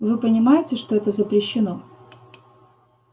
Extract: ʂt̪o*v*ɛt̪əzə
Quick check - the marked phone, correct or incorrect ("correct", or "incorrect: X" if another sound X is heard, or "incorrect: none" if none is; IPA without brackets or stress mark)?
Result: incorrect: none